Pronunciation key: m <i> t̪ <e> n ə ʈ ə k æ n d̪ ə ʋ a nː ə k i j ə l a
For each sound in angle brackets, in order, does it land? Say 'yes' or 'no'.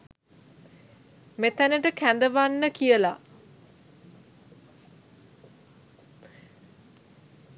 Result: no, no

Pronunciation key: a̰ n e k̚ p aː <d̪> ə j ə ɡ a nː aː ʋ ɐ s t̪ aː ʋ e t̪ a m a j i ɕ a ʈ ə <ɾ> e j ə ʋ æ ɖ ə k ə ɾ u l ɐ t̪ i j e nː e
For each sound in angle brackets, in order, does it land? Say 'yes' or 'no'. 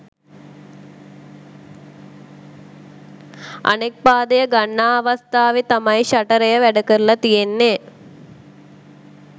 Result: yes, yes

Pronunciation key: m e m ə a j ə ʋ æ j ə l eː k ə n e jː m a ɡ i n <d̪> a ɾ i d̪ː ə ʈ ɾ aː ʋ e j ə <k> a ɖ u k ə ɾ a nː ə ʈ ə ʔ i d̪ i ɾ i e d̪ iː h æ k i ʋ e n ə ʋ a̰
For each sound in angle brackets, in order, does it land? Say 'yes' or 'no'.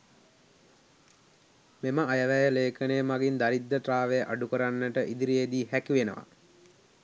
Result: yes, no

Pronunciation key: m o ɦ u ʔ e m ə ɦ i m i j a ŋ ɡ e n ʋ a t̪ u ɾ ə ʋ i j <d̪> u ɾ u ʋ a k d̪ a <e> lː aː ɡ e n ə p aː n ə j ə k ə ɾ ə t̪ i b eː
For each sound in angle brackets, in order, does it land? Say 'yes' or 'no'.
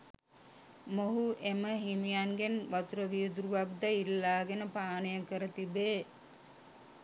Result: yes, no

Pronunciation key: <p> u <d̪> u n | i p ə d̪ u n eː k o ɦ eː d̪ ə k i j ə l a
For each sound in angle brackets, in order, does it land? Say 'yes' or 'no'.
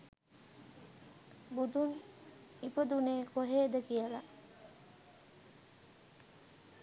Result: no, yes

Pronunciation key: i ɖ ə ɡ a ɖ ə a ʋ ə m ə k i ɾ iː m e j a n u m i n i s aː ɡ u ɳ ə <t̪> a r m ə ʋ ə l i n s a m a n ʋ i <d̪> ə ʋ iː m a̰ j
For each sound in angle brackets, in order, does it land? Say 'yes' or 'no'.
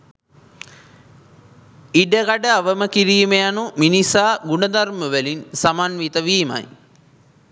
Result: no, no

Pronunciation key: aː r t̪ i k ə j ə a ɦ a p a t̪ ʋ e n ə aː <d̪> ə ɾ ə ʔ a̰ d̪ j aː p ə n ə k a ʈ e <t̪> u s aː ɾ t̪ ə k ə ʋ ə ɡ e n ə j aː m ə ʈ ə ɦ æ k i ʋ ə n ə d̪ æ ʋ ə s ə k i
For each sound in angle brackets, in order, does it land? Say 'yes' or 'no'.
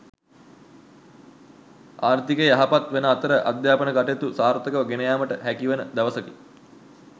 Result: no, yes

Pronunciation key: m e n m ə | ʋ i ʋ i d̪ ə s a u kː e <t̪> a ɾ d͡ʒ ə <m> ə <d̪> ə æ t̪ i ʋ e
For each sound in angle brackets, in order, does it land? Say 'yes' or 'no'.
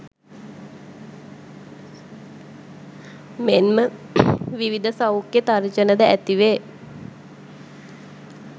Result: yes, no, yes

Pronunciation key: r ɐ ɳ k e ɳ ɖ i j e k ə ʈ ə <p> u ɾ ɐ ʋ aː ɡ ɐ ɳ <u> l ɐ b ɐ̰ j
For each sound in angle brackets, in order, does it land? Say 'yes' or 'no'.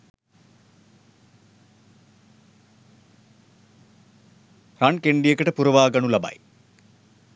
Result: yes, yes

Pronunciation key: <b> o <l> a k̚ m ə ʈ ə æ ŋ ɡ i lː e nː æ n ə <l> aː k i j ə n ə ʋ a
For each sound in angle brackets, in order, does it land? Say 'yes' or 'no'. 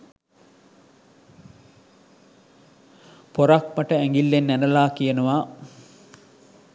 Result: no, no, yes

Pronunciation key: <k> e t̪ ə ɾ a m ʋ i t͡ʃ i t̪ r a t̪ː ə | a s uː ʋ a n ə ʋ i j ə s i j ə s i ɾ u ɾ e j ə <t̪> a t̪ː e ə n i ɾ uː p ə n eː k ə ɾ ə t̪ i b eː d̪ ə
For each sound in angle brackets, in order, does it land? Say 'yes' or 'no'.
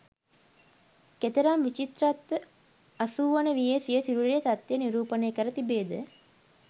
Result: yes, yes

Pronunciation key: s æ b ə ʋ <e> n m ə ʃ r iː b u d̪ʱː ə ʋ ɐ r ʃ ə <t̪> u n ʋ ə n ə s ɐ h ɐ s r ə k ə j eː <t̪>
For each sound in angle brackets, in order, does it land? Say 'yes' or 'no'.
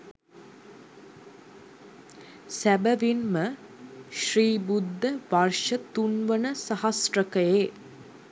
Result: no, yes, no

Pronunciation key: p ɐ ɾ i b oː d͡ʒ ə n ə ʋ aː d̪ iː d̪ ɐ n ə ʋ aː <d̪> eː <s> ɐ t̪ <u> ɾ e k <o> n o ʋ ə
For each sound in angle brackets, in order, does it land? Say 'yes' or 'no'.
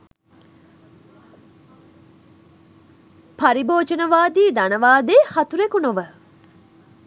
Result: yes, no, yes, no

